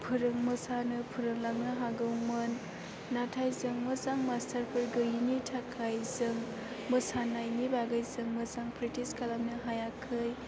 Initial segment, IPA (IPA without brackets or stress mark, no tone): pʰ